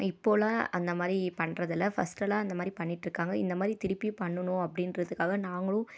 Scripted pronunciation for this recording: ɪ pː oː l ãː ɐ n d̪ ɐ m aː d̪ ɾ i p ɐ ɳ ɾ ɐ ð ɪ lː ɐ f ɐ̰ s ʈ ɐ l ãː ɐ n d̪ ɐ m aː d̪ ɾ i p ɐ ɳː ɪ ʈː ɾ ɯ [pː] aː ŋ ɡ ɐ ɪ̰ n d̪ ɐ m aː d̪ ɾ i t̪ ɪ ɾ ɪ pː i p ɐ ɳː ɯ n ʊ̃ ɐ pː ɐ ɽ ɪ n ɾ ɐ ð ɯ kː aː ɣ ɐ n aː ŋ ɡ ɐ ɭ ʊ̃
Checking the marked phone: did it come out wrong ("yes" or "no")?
yes